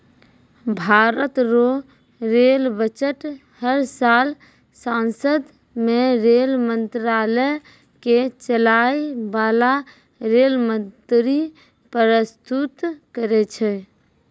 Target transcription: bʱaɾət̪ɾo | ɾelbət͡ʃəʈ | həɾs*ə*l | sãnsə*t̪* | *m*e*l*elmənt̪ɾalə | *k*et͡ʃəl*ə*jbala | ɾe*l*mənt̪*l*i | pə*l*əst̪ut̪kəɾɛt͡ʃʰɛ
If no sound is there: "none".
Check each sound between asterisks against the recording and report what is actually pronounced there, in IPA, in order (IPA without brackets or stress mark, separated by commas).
a, d̪, m, ɾ, k, a, l, ɾ, ɾ